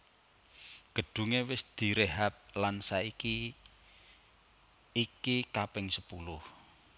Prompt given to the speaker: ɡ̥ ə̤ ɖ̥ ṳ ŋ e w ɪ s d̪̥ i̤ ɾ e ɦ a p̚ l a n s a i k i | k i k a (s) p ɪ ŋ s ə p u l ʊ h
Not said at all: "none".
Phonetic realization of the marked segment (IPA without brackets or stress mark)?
none